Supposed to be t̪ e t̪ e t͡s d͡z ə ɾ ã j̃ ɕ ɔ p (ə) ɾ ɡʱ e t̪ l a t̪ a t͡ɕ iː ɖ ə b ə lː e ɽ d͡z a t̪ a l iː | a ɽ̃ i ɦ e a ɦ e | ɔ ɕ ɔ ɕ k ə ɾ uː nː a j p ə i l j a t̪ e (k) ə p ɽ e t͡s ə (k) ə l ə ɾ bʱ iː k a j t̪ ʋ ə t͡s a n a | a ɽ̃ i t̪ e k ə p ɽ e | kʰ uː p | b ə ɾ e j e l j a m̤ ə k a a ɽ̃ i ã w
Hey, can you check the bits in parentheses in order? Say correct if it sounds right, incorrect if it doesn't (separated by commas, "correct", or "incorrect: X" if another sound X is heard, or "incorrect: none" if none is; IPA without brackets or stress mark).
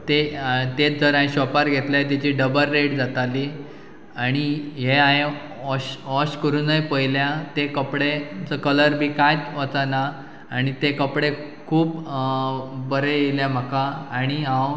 incorrect: a, correct, correct